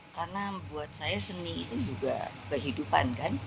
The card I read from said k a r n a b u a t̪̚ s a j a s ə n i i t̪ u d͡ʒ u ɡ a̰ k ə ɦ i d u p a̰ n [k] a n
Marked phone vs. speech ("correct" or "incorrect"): correct